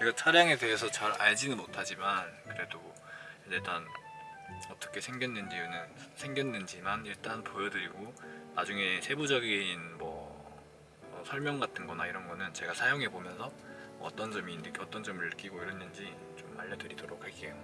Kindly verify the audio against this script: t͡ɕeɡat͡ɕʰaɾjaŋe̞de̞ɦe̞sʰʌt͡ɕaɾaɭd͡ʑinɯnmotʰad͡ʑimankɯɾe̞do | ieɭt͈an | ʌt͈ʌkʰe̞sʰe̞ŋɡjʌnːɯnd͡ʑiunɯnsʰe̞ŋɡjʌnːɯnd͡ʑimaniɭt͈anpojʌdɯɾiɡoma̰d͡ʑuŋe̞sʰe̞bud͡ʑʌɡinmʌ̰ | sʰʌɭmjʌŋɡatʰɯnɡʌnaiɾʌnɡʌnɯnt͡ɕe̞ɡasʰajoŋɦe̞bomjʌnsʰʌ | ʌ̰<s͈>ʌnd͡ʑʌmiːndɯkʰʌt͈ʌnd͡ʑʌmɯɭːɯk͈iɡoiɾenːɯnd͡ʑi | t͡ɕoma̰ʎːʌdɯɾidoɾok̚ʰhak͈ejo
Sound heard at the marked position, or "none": t͈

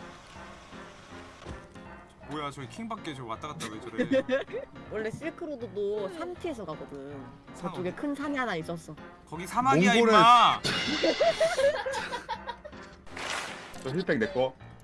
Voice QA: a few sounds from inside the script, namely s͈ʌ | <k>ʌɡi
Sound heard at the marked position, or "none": k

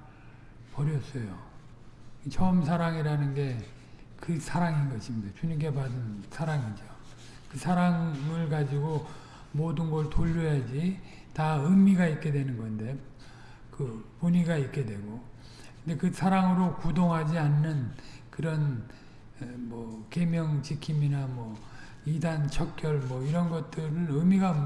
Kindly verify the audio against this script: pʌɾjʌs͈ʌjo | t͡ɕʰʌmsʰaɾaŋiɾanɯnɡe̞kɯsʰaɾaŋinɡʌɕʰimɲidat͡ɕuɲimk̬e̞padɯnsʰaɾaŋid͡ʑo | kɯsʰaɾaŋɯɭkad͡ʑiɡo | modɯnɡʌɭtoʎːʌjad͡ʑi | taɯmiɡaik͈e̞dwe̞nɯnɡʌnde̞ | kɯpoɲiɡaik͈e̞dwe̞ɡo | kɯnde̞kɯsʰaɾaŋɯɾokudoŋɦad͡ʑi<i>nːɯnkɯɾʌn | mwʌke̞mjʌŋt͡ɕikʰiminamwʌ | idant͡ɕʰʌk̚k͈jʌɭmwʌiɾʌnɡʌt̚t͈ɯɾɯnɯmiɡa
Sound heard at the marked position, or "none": a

